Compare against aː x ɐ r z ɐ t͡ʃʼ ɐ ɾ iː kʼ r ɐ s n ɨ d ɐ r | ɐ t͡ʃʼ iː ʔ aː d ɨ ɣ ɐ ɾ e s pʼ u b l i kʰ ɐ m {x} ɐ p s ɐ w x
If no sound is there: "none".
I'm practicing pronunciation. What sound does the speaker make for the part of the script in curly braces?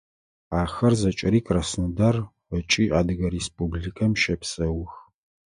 ʃ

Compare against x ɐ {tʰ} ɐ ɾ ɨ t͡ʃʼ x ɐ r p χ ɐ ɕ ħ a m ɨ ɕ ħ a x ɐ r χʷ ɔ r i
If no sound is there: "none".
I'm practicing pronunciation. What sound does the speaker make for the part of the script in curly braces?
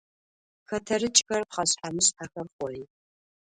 tʰ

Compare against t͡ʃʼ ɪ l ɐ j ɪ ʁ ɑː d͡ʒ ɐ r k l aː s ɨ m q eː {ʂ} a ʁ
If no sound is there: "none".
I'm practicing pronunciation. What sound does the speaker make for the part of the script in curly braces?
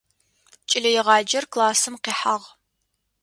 ħ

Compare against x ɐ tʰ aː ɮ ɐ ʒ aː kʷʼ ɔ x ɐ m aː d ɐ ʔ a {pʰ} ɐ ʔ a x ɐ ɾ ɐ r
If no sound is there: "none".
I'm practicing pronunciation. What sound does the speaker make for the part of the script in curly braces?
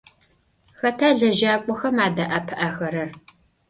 pʰ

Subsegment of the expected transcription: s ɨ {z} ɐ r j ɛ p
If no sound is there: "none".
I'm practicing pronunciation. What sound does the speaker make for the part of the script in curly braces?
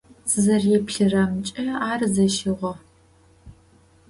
z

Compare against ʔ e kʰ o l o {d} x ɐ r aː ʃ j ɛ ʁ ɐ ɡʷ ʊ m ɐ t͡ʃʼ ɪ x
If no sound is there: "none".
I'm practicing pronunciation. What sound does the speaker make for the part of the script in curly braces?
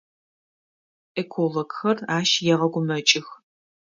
ɡ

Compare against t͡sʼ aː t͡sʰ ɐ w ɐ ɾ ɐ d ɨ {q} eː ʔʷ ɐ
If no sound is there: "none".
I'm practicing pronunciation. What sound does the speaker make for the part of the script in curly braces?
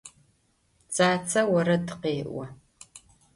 q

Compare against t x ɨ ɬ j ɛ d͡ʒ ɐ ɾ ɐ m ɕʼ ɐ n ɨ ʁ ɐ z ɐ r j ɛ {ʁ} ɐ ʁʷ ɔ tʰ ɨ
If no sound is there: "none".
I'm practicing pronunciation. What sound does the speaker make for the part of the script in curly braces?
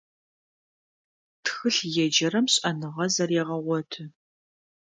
ʁ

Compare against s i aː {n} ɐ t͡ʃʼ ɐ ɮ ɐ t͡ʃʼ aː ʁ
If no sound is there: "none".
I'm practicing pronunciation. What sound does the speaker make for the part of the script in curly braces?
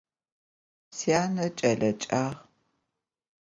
n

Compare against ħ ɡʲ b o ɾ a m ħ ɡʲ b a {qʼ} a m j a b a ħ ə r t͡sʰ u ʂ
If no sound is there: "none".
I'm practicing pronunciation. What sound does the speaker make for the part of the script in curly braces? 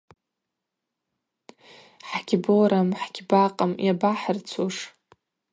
qʼ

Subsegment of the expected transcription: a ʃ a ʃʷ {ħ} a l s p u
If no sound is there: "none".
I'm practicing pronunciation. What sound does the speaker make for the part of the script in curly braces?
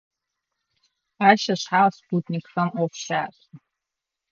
ħ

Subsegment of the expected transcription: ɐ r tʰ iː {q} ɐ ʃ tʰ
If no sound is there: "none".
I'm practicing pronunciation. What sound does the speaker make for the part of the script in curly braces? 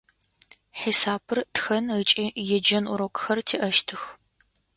ʔ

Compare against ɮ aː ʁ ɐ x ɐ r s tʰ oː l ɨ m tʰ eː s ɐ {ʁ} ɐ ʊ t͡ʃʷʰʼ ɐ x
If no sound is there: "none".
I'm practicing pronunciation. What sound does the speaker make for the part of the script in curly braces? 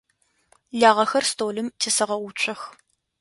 ʁ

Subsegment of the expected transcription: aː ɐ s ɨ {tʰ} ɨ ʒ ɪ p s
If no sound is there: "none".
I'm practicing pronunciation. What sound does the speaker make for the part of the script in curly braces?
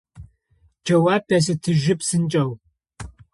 tʰ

